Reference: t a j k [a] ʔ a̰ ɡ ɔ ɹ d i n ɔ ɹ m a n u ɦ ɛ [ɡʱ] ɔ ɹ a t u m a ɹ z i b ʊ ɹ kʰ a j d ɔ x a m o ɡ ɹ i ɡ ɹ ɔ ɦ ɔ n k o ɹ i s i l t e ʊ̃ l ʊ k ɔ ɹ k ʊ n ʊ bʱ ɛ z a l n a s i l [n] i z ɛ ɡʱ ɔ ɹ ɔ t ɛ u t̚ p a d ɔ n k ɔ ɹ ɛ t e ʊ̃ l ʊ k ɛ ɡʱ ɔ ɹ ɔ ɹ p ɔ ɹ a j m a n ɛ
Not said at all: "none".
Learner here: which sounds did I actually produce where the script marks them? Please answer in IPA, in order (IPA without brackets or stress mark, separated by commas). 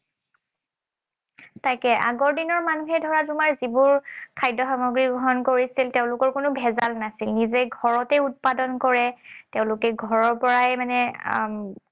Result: ɛ, dʱ, n